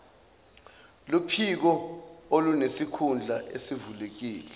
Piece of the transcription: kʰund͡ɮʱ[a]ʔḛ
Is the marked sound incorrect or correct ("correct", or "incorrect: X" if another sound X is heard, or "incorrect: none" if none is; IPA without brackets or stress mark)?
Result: correct